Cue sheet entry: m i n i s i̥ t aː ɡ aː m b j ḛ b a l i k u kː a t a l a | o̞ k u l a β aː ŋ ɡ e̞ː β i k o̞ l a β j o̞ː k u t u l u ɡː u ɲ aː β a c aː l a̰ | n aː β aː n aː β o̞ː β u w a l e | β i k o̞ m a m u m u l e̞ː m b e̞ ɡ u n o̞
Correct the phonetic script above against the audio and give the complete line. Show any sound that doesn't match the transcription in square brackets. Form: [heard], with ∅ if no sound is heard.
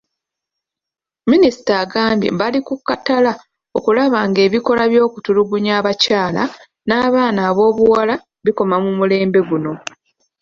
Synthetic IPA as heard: m i n i s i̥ t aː ɡ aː m b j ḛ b a l i k u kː a t a l a | o̞ k u l a β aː ŋ ɡ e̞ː β i k o̞ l a β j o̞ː k u t u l u [ɡ] u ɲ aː β a c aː l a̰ | n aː β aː n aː β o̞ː β u w a l [a] | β i k o̞ m a m u m u l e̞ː m b e̞ ɡ u n o̞